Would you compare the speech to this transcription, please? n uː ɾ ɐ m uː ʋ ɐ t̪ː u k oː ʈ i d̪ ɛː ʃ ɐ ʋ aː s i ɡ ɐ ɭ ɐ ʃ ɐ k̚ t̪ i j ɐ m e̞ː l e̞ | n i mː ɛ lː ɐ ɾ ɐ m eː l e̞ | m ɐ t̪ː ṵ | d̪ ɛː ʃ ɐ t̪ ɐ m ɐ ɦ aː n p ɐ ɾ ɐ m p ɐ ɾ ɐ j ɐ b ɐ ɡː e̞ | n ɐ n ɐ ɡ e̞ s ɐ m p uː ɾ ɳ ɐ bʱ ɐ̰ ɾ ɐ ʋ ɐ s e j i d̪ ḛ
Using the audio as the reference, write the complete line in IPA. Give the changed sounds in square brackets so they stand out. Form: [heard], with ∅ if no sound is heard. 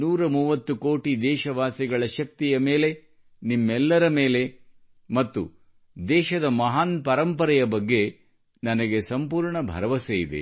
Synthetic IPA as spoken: n uː ɾ ɐ m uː ʋ ɐ t̪ː u k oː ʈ i d̪ ɛː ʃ ɐ ʋ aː s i ɡ ɐ ɭ ɐ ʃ ɐ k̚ t̪ i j ɐ m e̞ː l e̞ | n i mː ɛ lː ɐ ɾ ɐ m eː l e̞ | m ɐ t̪ː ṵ | d̪ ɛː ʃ ɐ [d̪] ɐ m ɐ ɦ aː n p ɐ ɾ ɐ m p ɐ ɾ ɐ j ɐ b ɐ ɡː e̞ | n ɐ n ɐ ɡ e̞ s ɐ m p uː ɾ ɳ ɐ bʱ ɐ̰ ɾ ɐ ʋ ɐ s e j i d̪ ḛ